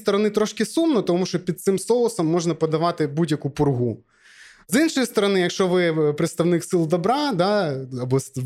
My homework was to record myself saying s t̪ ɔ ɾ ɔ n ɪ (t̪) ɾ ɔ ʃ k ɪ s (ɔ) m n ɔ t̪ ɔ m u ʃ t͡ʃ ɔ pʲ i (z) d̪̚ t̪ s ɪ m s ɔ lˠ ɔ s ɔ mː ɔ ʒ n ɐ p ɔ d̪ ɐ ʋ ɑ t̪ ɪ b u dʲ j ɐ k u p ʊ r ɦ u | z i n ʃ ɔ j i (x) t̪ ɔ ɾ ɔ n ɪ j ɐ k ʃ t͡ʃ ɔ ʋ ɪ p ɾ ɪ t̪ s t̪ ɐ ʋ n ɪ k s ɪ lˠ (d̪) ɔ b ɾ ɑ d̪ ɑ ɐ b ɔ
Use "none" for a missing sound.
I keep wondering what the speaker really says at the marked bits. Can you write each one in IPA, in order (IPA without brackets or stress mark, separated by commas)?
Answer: t̪, u, none, s, d̪